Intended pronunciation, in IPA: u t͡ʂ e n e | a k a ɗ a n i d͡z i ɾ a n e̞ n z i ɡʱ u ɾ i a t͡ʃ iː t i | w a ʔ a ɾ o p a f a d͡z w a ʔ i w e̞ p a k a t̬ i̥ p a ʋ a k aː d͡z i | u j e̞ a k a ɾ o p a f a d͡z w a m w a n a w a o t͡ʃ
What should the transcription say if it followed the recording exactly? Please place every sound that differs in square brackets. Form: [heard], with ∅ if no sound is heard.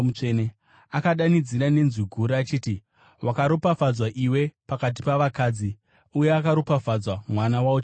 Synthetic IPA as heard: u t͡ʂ e n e | a k a ɗ a n i d͡z i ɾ a n e̞ n z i ɡʱ u ɾ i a t͡ʃ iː t i | w a [k] a ɾ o p a f a d͡z w a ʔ i w e̞ p a k a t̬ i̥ p a ʋ a k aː d͡z i | u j e̞ a k a ɾ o p a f a d͡z w a m w a n a w a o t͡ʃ